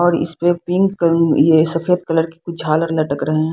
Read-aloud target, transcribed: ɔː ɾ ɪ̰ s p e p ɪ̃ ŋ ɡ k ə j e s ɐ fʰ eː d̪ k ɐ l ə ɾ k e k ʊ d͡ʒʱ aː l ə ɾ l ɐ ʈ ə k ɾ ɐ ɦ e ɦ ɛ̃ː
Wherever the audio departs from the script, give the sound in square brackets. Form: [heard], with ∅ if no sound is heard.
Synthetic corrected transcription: ɔː ɾ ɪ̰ s p e p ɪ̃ ŋ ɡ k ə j e s ɐ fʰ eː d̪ k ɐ l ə ɾ k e k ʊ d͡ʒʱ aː l ə ɾ l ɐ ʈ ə k ɾ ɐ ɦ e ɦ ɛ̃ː